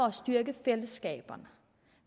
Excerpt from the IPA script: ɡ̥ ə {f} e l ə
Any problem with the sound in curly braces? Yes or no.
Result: no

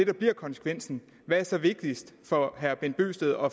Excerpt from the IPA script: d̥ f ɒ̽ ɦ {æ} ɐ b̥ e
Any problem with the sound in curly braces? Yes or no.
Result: no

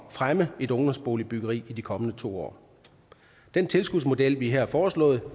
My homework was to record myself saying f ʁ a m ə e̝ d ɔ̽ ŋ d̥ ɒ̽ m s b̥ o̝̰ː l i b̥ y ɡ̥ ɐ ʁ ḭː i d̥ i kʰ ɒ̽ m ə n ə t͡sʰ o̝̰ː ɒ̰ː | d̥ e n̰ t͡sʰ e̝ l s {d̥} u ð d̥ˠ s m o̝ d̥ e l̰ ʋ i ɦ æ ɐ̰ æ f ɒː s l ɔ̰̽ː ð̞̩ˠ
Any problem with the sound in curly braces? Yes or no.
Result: yes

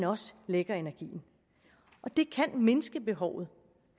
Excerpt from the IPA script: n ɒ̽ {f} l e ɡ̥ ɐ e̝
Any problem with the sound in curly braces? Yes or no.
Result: yes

